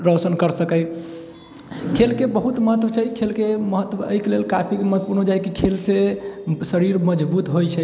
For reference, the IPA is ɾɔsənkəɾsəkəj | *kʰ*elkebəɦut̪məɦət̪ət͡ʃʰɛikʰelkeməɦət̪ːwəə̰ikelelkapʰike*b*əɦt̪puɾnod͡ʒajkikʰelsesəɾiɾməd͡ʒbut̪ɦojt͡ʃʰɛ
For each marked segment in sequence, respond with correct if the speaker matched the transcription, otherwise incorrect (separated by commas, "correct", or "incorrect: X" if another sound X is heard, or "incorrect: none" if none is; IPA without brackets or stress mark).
correct, incorrect: m